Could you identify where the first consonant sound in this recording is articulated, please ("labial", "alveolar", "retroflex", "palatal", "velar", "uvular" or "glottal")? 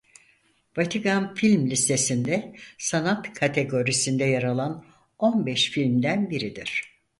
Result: labial